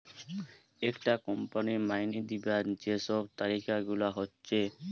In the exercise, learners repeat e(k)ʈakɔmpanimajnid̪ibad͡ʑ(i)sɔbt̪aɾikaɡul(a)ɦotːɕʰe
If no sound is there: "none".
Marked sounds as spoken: k, e, a

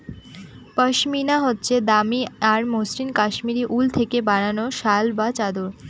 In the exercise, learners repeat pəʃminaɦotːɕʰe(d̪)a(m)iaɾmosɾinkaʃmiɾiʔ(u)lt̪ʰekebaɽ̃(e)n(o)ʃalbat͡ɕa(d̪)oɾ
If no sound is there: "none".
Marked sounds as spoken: d̪, m, u, a, o, d̪

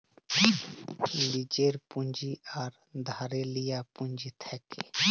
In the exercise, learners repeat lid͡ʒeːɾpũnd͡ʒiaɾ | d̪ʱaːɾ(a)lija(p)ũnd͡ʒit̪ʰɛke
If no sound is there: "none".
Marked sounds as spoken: e, p

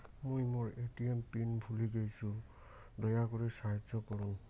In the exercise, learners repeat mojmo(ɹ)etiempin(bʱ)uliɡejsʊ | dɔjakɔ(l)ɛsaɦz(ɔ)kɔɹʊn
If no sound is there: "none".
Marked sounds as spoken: ɹ, bʱ, ɹ, ɔ

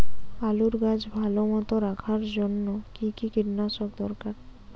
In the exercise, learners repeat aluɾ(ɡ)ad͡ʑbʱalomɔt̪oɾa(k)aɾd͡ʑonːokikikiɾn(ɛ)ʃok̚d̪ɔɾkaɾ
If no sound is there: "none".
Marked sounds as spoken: ɡ, kʰ, a

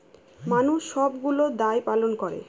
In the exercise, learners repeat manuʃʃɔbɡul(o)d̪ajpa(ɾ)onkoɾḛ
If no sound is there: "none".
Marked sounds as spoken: o, l

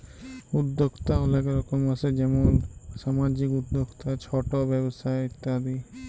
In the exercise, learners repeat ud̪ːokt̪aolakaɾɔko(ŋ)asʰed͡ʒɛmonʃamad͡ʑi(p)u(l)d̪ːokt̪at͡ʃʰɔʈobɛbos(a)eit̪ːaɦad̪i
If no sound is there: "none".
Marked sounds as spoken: m, k, none, a

